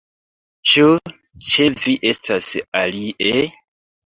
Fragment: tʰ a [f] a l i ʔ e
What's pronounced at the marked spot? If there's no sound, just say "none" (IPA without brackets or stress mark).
s